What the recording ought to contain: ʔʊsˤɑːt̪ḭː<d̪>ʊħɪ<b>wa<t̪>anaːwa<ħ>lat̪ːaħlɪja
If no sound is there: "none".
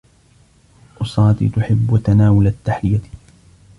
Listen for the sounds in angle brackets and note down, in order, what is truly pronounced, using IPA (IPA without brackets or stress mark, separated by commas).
t̪, bː, t̪, none